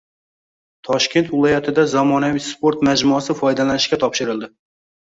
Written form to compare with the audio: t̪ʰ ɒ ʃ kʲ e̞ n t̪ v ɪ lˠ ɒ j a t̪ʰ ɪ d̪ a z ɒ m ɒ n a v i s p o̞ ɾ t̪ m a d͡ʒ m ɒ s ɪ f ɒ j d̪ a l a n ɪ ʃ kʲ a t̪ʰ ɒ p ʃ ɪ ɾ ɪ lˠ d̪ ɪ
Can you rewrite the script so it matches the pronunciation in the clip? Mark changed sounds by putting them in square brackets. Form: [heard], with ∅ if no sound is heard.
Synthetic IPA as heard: t̪ʰ ɒ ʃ kʲ e̞ n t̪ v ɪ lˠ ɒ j a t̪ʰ ɪ d̪ a z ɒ m ɒ n a v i s p o̞ ɾ t̪ m a d͡ʒ m ɒ s ɪ f ɒ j d̪ a l a n ɪ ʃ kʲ a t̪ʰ ɒ p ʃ ɪ ɾ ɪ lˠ d̪ ɪ